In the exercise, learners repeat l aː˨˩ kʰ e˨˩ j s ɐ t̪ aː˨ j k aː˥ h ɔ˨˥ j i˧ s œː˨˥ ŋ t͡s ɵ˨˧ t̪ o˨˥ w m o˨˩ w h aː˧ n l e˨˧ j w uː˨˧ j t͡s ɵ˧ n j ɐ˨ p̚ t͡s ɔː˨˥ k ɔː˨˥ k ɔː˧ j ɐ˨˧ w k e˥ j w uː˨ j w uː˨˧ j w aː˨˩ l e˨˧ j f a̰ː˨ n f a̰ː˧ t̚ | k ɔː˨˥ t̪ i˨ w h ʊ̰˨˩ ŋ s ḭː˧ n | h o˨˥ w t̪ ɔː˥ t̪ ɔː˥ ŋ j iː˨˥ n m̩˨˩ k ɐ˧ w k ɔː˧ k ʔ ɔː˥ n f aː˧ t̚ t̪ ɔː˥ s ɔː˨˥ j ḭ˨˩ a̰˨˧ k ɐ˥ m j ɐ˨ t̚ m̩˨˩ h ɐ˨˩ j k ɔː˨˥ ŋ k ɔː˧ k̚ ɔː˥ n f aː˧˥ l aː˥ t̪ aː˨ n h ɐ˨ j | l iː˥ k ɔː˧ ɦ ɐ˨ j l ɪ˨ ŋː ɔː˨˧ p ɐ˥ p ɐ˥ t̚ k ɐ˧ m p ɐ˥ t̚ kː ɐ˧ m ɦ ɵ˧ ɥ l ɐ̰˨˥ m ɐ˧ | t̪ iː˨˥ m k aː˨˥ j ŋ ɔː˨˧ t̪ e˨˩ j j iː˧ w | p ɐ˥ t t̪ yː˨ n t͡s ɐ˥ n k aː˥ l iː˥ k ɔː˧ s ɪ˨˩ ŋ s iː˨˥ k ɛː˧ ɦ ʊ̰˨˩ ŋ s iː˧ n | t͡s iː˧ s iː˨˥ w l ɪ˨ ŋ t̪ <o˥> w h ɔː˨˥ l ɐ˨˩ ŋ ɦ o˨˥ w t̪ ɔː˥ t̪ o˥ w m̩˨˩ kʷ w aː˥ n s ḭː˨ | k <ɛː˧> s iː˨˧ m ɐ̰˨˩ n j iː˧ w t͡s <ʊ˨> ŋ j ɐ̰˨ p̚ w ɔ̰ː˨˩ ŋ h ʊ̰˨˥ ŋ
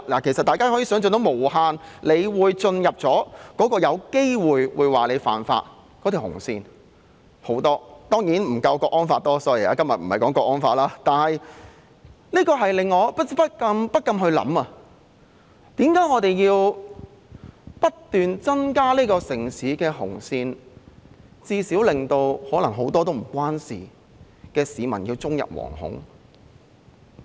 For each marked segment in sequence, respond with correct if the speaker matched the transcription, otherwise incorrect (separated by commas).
incorrect, correct, incorrect